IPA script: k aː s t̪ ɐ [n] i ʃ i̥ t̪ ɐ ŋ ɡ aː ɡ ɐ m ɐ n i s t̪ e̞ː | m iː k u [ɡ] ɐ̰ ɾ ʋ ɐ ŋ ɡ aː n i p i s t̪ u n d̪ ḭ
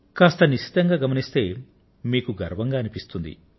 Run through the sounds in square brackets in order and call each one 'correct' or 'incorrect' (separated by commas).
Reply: correct, correct